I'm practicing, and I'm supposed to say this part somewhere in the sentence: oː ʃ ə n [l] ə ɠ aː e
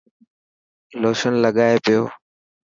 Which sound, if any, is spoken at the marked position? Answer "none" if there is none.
l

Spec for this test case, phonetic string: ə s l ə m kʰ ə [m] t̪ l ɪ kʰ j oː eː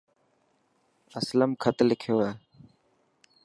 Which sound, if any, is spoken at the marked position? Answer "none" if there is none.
none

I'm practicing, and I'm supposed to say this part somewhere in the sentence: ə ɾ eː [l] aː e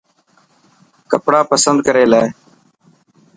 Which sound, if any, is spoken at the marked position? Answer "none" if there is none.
l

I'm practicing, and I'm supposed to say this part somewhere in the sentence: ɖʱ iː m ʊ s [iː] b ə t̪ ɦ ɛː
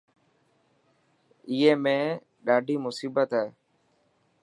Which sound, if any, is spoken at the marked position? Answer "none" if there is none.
iː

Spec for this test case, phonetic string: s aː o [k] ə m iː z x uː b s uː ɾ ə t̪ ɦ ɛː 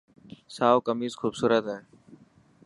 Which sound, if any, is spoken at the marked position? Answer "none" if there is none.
k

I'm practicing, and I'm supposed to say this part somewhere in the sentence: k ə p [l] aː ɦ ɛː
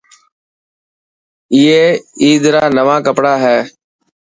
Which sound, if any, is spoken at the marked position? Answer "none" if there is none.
ɽ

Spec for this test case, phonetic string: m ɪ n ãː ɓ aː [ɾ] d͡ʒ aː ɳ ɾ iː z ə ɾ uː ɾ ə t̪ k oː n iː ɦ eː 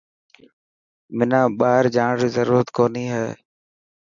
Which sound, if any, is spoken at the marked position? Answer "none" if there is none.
ɾ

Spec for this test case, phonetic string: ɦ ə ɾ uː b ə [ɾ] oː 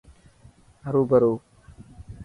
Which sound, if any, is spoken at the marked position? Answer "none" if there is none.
ɾ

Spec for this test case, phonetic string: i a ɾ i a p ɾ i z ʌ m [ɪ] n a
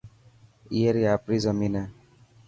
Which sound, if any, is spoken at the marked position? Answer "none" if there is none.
i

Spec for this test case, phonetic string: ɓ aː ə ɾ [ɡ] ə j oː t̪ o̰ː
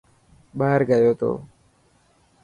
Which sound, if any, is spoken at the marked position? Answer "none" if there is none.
ɡ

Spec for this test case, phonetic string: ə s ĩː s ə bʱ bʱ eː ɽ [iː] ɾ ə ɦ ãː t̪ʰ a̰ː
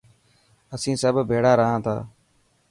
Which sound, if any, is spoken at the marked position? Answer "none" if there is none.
aː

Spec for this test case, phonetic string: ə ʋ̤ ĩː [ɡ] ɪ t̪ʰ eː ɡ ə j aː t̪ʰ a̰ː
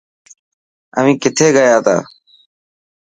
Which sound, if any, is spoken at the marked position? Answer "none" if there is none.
k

